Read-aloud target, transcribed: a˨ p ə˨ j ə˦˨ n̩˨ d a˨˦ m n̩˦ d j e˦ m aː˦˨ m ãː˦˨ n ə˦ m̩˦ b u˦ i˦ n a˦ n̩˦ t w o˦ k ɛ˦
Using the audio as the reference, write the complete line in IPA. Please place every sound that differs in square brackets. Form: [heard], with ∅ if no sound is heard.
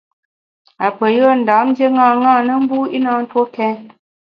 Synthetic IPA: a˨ p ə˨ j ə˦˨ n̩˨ d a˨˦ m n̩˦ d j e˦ [ŋ] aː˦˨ [ŋ] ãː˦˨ n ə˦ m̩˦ b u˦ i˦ n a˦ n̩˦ t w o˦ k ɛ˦